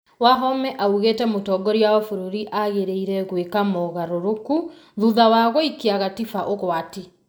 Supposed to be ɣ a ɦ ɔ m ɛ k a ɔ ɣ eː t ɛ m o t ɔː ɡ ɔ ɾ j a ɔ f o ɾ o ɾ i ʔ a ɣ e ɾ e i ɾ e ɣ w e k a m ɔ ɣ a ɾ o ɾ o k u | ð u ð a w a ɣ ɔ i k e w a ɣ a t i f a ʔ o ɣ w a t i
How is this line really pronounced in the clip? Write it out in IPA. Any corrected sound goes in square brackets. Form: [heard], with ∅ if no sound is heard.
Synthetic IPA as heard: [w] a ɦ ɔ m ɛ [ʔ] a [u] ɣ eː t ɛ m o t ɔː ɡ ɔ ɾ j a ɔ f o ɾ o ɾ i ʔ a ɣ e ɾ e i ɾ [ɛ] ɣ w e k a m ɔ ɣ a ɾ o ɾ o k u | ð u ð a w a ɣ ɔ i k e [∅] a ɣ a t i f a ʔ o ɣ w a t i

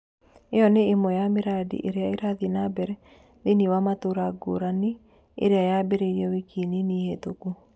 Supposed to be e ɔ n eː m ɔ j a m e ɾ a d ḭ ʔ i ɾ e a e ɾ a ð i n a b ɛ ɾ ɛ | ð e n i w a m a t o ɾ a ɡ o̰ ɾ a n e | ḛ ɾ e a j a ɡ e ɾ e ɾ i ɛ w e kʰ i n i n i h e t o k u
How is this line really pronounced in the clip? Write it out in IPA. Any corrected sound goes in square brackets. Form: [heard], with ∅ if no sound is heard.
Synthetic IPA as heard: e ɔ n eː m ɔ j a m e ɾ a d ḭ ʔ [e] ɾ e a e ɾ a ð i n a b ɛ ɾ ɛ | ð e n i w a m a t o ɾ a ɡ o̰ ɾ a n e | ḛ ɾ e a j a [b] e ɾ e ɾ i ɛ w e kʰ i n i n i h e t o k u

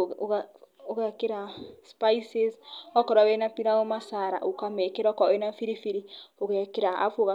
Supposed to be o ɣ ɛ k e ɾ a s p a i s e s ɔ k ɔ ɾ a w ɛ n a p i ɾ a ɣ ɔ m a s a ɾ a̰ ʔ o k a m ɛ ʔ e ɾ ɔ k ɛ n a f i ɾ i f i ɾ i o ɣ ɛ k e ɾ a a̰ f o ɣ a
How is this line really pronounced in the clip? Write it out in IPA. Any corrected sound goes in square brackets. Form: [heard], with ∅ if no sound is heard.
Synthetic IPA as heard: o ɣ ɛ k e ɾ a s p a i s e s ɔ k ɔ ɾ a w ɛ n a p i ɾ a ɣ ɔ m a s a ɾ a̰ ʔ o k a m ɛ [k] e ɾ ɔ k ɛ n a f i ɾ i f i ɾ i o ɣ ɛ k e ɾ a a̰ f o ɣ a

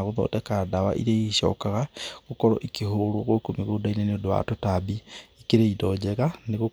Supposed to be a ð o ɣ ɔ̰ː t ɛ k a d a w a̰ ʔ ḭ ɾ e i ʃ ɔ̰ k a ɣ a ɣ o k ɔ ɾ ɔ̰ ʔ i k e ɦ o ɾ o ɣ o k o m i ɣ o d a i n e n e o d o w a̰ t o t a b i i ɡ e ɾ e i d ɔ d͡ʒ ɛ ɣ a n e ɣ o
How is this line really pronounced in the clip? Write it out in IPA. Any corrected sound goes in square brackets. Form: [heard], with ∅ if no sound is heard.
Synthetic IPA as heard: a [ɣ] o [ð] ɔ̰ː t ɛ k a d a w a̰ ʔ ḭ ɾ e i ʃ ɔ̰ k a ɣ a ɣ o k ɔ ɾ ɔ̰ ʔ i k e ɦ o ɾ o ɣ o k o m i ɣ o d a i n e n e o d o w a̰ t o t a b i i [k] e ɾ e i d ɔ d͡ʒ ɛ ɣ a n e ɣ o

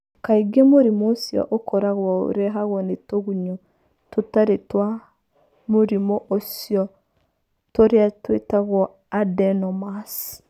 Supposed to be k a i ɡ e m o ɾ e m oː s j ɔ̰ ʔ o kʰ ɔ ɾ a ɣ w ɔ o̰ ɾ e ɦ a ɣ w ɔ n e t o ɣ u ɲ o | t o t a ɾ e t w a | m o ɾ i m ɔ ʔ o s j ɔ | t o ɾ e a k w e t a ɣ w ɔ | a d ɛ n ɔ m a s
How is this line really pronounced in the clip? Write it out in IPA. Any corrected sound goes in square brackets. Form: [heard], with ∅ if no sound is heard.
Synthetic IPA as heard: k a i ɡ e m o ɾ [i] m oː s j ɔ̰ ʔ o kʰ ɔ ɾ a ɣ w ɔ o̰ ɾ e ɦ a ɣ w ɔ n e t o ɣ u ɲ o | t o t a ɾ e t w a | m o ɾ i m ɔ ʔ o s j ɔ | t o ɾ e a [t] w e t a ɣ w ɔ | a d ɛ n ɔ m a s

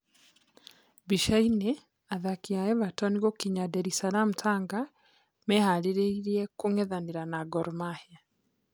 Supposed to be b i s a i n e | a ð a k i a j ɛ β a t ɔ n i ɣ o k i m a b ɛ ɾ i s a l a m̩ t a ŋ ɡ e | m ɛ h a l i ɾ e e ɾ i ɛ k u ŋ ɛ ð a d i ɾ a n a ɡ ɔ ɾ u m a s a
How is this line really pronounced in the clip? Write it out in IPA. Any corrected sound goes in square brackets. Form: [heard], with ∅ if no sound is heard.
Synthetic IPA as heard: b i [ʃ] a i n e | a ð a k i a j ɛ β a t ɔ n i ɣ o k i [ɲ] a [d] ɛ ɾ i s a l a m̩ t a ŋ ɡ [a] | m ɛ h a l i ɾ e [i] ɾ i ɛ k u ŋ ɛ ð a [n] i ɾ a n a ɡ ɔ ɾ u m a [h] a

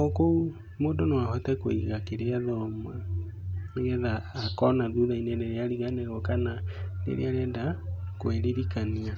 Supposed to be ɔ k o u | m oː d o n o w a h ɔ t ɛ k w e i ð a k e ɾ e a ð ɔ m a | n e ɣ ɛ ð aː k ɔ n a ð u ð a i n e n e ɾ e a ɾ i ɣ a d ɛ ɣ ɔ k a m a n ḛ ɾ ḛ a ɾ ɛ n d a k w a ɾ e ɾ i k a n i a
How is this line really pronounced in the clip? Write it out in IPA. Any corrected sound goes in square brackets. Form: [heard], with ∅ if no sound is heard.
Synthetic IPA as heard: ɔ k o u | m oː d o n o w a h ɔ t ɛ k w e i [ɣ] a k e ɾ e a ð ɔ m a | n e ɣ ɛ ð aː k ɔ n a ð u ð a i n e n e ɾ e a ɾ i ɣ a [n] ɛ ɣ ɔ k a [n] a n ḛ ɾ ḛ a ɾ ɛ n d a k w [e] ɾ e ɾ i k a n i a

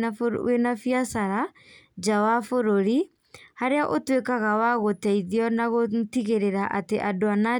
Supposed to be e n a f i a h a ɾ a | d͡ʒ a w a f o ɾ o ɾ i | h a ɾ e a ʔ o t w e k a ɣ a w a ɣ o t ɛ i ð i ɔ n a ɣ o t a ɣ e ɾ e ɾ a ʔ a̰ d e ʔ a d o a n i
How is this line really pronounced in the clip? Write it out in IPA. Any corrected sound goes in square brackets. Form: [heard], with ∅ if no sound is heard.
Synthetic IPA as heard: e n a f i a [s] a ɾ a | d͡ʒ a w a f o ɾ o ɾ i | h a ɾ e a ʔ o t w e k a ɣ a w a ɣ o t ɛ i ð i ɔ n a ɣ o t [i] ɣ e ɾ e ɾ a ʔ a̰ [t] e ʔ a d o a n [a]

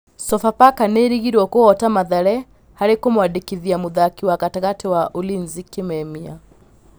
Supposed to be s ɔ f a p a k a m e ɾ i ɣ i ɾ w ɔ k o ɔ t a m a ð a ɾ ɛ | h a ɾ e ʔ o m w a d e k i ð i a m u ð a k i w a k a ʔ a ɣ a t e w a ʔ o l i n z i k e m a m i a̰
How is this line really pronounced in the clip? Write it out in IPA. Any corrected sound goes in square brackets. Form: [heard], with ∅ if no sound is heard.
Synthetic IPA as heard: s ɔ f a p a k a [n] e ɾ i ɣ i ɾ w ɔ k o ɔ t a m a ð a ɾ ɛ | h a ɾ e [k] o m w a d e k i ð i a m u ð a k i w a k a [t] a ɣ a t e w a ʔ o l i n z i k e m [ɛ] m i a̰

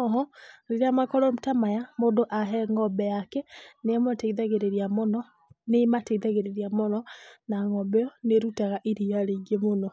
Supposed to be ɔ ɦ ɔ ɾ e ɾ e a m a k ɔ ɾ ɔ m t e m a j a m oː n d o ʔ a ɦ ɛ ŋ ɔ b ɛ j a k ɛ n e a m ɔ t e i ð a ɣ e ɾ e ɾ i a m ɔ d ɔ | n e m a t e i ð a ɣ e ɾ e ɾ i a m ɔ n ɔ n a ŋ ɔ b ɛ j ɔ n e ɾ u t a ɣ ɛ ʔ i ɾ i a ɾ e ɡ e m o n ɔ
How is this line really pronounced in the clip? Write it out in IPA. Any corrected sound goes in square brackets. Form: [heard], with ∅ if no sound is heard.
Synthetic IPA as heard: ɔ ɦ ɔ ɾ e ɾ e a m a k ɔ ɾ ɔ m t [a] m a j a m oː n d o ʔ a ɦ ɛ ŋ ɔ b ɛ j a k ɛ n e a m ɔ t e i ð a ɣ e ɾ e ɾ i a m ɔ [n] ɔ | n e m a t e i ð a ɣ e ɾ e ɾ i a m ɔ n ɔ n a ŋ ɔ b ɛ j ɔ n e ɾ u t a ɣ [a] ʔ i ɾ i a ɾ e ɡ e m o n ɔ

